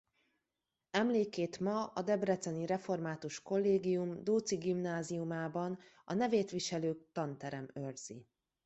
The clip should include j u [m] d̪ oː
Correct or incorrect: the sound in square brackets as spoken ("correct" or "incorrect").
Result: correct